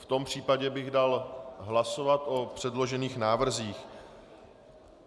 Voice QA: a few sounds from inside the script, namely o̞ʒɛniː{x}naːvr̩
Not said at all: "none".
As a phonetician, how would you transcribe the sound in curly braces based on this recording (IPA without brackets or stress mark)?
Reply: x